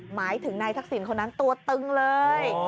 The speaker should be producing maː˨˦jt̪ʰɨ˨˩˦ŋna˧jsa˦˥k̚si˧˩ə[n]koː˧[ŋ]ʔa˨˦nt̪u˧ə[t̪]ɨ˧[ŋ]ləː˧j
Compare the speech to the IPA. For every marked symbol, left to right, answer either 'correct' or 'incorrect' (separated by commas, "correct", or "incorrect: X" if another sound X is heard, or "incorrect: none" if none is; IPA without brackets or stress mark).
correct, incorrect: n, correct, correct